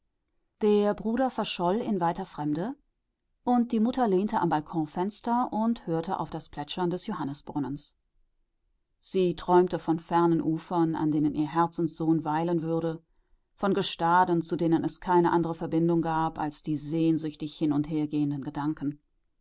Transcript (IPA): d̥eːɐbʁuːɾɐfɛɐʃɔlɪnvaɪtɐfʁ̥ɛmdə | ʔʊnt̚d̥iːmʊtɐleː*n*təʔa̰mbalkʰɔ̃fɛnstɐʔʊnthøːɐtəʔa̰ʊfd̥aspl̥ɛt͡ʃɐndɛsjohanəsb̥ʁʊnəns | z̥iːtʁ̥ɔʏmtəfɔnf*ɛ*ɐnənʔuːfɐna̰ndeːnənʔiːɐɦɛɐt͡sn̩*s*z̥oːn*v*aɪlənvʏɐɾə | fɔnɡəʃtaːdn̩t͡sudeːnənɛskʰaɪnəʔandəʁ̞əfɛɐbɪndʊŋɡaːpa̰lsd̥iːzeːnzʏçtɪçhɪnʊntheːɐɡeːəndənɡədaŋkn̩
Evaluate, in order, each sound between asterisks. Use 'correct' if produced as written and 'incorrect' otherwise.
correct, correct, correct, correct

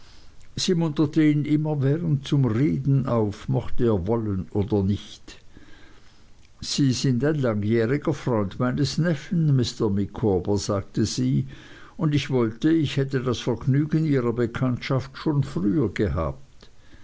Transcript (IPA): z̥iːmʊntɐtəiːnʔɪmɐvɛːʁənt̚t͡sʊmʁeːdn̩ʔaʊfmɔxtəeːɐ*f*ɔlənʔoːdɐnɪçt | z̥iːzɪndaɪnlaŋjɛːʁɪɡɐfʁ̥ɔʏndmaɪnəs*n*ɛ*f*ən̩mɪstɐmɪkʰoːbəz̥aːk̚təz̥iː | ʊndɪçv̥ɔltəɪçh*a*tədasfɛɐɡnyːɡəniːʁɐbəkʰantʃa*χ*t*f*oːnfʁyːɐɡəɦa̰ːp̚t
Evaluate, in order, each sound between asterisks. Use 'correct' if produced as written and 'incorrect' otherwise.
incorrect: v, correct, correct, incorrect: ɛ, incorrect: f, incorrect: ʃ

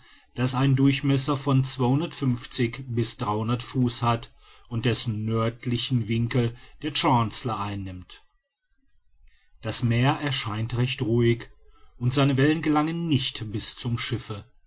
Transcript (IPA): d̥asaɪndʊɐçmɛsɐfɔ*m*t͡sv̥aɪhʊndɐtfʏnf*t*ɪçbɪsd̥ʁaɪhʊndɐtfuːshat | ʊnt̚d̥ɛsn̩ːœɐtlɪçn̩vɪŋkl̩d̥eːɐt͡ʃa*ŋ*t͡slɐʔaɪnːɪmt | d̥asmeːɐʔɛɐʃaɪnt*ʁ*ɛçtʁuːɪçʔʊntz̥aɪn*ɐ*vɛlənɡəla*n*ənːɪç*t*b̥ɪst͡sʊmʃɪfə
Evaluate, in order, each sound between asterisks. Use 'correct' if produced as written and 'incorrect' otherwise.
incorrect: n, incorrect: t͡s, incorrect: n, correct, incorrect: ə, incorrect: ŋ, correct

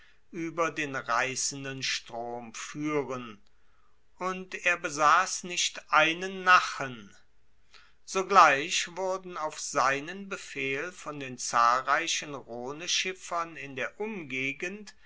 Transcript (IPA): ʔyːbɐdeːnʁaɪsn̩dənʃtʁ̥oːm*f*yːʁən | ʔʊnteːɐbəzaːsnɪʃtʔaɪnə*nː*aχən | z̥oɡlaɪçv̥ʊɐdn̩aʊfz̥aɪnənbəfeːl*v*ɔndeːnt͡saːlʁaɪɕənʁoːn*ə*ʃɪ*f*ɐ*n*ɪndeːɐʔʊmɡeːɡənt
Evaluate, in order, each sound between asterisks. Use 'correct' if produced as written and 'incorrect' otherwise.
correct, correct, incorrect: f, correct, correct, correct

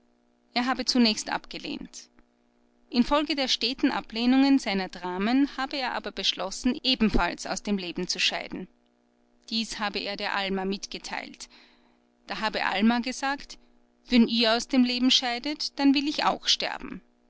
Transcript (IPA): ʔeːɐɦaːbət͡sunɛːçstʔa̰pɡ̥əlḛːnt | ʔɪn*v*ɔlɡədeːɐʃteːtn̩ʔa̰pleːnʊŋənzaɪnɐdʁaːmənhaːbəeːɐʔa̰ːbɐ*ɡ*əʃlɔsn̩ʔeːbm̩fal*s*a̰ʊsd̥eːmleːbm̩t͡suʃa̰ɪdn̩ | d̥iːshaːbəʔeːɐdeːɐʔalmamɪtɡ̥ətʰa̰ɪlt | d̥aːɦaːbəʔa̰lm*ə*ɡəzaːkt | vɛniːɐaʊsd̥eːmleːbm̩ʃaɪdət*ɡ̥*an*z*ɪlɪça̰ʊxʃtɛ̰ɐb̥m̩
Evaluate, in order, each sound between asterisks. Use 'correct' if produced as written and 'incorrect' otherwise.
incorrect: f, incorrect: b, correct, incorrect: a, incorrect: d̥, incorrect: v

